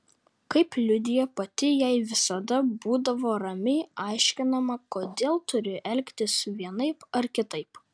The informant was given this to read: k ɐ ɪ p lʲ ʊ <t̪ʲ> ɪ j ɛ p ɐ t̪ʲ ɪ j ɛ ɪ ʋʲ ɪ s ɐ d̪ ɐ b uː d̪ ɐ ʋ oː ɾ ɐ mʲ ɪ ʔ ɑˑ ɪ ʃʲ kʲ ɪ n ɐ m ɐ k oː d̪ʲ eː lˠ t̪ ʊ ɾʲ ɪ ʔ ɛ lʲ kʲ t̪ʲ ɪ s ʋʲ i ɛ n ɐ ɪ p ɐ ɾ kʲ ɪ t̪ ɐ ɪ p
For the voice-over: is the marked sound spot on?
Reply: no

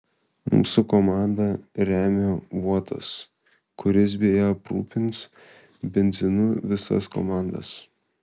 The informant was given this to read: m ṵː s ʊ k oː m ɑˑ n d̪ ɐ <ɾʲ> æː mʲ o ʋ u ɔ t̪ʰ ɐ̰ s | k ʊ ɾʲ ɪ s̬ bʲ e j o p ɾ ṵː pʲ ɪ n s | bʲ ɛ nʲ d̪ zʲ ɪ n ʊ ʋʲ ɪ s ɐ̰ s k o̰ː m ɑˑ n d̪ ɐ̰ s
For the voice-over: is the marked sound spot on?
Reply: yes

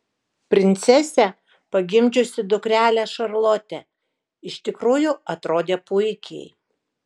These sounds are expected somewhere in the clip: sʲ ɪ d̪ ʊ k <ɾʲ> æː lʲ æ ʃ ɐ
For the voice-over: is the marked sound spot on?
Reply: yes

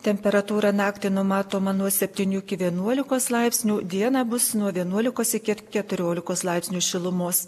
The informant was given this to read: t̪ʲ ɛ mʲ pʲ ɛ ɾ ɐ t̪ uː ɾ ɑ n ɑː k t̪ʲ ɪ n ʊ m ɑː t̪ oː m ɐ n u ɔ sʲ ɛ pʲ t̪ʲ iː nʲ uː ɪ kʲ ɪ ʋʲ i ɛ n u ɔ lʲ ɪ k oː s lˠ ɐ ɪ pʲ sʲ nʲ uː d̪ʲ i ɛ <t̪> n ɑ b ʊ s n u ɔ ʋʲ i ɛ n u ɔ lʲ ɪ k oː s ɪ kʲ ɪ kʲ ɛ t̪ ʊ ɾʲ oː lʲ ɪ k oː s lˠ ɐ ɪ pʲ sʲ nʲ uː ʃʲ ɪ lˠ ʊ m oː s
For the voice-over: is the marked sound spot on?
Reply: no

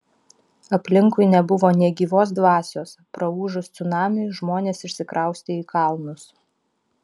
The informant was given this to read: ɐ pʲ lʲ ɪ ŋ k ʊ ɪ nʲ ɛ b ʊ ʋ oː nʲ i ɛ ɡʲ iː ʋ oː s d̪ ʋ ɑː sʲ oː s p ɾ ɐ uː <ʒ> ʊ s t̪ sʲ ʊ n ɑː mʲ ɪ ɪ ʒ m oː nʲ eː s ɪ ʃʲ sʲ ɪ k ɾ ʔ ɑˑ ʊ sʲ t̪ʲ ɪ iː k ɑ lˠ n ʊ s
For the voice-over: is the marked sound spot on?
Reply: yes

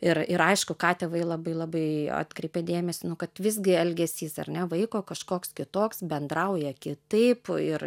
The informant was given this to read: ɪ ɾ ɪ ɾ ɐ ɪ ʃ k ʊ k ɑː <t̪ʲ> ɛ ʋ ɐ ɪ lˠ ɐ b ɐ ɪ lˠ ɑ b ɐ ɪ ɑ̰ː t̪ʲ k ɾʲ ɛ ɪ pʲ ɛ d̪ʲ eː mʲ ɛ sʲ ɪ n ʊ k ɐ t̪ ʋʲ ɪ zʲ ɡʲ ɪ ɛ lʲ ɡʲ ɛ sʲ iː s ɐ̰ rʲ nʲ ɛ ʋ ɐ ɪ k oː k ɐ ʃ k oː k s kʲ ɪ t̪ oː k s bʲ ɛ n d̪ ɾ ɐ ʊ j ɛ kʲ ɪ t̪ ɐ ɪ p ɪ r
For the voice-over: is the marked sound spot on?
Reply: yes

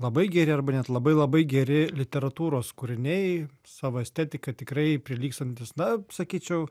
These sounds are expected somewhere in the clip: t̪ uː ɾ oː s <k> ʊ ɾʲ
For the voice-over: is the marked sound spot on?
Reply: yes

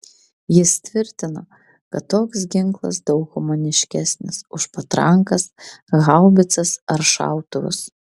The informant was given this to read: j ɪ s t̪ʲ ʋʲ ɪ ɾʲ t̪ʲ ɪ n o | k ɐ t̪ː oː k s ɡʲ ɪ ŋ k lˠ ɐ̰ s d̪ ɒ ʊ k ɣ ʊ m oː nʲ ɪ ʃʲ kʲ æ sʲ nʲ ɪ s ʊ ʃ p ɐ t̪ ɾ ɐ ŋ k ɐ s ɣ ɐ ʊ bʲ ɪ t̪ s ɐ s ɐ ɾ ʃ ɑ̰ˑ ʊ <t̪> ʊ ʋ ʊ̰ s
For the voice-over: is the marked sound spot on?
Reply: yes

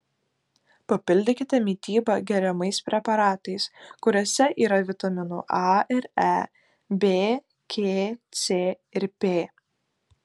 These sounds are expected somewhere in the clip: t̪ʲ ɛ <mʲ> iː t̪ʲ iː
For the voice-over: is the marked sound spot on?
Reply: yes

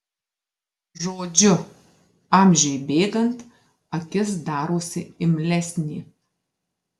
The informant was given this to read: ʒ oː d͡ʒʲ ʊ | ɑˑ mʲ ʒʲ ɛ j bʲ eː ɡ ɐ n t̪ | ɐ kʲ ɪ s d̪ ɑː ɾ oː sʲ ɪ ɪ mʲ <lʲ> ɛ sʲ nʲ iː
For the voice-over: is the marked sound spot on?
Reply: yes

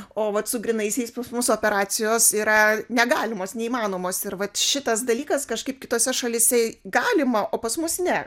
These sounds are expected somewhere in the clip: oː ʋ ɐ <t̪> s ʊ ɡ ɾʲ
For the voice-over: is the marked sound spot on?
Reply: yes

